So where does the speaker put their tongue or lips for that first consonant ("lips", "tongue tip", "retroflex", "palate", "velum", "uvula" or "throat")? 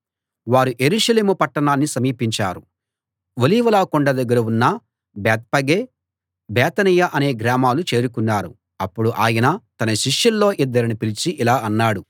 lips